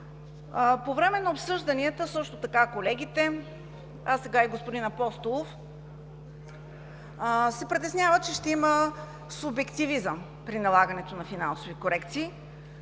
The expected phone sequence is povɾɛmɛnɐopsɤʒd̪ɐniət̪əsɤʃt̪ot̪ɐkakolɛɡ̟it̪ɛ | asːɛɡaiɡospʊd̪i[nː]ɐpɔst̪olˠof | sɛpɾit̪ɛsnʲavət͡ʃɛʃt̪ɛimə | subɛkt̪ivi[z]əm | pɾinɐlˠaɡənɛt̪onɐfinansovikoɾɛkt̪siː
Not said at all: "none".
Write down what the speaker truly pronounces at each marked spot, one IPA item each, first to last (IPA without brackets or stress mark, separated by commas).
n, z